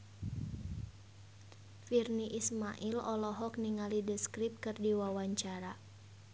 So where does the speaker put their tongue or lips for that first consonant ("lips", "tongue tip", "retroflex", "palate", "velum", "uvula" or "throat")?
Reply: lips